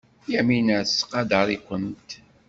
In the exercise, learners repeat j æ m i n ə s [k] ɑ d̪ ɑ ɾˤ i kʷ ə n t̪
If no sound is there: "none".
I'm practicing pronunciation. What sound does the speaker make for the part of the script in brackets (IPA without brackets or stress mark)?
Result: q